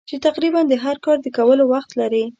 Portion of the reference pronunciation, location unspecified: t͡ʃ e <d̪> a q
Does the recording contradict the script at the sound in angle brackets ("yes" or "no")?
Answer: yes